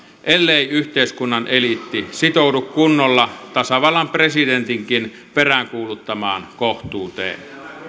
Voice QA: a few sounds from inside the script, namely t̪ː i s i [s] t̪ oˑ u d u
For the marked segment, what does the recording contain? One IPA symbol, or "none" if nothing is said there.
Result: none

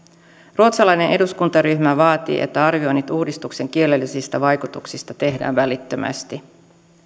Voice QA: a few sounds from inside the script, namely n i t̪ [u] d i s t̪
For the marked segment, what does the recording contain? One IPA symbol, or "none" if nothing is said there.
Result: uː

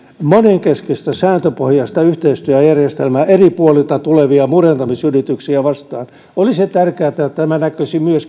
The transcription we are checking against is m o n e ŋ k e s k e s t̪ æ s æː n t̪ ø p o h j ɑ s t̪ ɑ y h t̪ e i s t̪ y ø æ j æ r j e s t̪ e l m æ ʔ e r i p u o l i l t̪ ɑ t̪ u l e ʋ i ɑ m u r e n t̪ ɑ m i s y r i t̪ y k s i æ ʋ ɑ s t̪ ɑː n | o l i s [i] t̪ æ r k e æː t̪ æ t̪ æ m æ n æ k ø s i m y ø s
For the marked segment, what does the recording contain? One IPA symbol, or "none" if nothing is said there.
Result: e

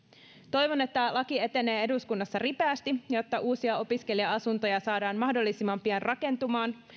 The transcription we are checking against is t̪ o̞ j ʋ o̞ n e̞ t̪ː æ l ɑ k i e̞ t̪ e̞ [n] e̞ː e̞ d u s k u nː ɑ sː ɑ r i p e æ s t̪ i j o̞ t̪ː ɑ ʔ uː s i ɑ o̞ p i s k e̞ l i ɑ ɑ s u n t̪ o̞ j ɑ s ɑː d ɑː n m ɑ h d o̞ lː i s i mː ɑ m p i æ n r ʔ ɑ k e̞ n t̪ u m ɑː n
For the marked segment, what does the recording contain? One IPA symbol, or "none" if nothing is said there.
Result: n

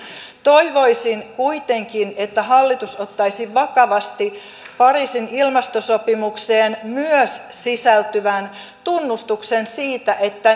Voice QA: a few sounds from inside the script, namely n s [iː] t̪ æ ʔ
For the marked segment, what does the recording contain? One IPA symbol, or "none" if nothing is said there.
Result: iː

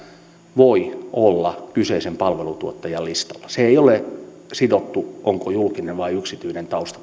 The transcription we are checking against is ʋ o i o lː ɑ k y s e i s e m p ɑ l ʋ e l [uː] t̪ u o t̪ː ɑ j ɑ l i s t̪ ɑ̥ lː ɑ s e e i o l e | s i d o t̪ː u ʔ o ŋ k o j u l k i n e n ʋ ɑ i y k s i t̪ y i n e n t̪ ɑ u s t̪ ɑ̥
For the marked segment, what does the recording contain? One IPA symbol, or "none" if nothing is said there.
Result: u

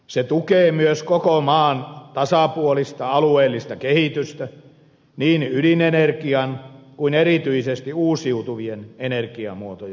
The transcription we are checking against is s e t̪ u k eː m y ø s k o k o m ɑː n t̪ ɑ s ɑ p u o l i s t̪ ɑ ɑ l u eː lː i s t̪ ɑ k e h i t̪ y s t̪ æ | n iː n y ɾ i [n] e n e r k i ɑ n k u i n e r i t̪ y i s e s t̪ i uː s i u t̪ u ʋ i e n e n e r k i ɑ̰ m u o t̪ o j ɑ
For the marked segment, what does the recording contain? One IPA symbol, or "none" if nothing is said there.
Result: n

